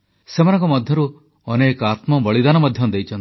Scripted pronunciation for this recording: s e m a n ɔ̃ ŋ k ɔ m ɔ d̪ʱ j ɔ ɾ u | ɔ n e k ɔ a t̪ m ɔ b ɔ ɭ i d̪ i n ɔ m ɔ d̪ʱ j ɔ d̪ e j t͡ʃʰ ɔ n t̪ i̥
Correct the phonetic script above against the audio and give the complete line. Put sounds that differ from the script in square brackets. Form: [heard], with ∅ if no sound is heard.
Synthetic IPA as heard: s e m a n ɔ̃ ŋ k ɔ m ɔ d̪ʱ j ɔ ɾ u | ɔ n e k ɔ a t̪ m ɔ b ɔ ɭ i d̪ [a] n ɔ m ɔ d̪ʱ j ɔ d̪ e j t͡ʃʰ ɔ n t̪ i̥

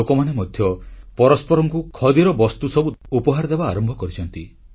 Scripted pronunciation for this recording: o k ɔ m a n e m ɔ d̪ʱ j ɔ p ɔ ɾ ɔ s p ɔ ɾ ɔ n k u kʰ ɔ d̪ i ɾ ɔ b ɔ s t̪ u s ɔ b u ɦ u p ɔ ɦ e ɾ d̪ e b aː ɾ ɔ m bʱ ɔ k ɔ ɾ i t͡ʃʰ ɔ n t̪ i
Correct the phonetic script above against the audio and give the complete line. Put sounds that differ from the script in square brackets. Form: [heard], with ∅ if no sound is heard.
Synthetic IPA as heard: o k ɔ m a n e m ɔ d̪ʱ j ɔ p ɔ ɾ ɔ s p ɔ ɾ ɔ [ŋ] k u kʰ ɔ d̪ i ɾ ɔ b ɔ s t̪ u s ɔ b u [∅] u p ɔ ɦ [a] ɾ d̪ e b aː ɾ ɔ m bʱ ɔ k ɔ ɾ i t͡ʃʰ ɔ n t̪ i

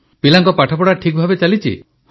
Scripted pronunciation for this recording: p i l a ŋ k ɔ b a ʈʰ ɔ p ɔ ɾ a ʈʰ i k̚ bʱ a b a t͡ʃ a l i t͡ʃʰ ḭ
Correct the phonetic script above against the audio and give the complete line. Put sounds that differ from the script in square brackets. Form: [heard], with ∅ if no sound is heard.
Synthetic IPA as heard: p i l a ŋ k ɔ [p] a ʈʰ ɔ p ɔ [ɽ] a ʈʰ i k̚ bʱ a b [e] t͡ʃ a l i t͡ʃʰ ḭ

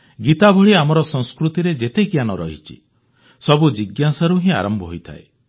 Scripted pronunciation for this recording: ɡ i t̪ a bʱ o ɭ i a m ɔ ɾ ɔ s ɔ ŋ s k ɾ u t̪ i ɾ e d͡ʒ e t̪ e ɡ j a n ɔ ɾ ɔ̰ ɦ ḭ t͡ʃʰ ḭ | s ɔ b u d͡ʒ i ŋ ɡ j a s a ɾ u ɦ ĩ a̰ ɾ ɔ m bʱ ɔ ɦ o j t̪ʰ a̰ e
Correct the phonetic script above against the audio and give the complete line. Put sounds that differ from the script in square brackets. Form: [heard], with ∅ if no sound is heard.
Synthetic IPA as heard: ɡ i t̪ a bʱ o ɭ i a m ɔ ɾ ɔ s ɔ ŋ s k ɾ u t̪ i ɾ e d͡ʒ e t̪ e ɡ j a n ɔ ɾ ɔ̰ ɦ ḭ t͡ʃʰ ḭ | s ɔ b u d͡ʒ i [∅] ɡ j a s a ɾ u ɦ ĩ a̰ ɾ ɔ m bʱ ɔ ɦ o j t̪ʰ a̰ e

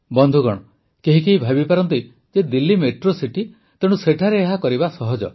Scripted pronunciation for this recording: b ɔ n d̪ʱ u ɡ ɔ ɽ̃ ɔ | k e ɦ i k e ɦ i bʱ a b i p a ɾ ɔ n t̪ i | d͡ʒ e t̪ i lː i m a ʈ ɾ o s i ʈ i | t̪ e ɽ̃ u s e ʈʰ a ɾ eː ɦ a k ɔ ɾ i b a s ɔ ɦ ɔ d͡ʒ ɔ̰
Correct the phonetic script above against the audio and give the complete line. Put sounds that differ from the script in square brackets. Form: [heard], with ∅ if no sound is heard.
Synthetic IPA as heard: b ɔ n d̪ʱ u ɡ ɔ ɽ̃ ɔ | k e ɦ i k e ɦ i bʱ a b i p a ɾ ɔ n t̪ i | d͡ʒ e [d̪] i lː i m [e] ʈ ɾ o s i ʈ i | t̪ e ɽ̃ u s e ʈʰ a ɾ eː ɦ a k ɔ ɾ i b a s ɔ ɦ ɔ d͡ʒ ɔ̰

